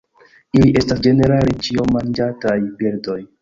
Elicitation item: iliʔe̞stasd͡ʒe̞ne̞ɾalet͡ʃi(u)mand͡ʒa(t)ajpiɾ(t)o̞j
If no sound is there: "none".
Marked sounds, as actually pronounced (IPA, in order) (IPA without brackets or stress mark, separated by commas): o, t, d